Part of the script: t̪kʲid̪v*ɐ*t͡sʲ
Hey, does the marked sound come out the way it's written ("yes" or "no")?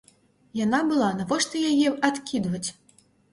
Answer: yes